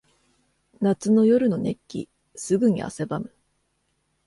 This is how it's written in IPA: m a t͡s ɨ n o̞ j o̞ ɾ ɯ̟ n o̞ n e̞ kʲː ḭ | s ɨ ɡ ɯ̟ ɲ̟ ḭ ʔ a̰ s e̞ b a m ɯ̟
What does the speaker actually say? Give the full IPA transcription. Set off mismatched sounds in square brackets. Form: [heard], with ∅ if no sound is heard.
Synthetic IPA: [n] a t͡s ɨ n o̞ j o̞ ɾ ɯ̟ n o̞ n e̞ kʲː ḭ | s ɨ ɡ ɯ̟ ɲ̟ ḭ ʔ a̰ s e̞ b a m ɯ̟